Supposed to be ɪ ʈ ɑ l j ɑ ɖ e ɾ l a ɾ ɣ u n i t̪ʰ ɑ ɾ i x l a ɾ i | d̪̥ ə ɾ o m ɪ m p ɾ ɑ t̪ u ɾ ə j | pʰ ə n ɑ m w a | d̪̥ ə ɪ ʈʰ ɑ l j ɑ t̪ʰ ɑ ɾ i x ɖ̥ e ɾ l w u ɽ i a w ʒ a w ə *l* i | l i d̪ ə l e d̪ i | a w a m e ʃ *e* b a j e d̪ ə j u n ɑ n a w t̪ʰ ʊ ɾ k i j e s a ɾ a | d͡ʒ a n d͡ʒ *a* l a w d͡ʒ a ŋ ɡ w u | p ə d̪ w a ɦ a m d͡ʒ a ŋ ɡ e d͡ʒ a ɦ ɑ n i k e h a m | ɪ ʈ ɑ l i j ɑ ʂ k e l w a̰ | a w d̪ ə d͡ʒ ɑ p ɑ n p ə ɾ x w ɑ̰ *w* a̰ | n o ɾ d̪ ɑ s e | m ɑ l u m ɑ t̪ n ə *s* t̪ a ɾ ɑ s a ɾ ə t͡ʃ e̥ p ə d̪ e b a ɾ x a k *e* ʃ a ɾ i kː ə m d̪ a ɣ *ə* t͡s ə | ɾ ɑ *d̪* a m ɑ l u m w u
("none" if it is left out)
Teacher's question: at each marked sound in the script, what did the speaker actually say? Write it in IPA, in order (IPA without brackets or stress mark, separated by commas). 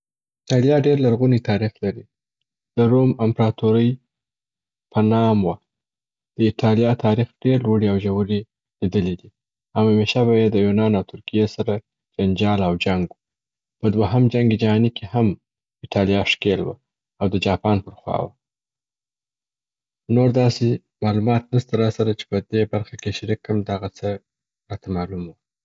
ɾ, a, ɑ, w, s, e, a, t̪